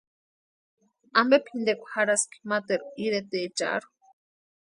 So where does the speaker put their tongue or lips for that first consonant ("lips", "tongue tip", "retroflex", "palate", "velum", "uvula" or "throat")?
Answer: lips